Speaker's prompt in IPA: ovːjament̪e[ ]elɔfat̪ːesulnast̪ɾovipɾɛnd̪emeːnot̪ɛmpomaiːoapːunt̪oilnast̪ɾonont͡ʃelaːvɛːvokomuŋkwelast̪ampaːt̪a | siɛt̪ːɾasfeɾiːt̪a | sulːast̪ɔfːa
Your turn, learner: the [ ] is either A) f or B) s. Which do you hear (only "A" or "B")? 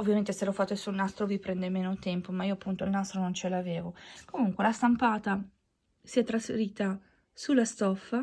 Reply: B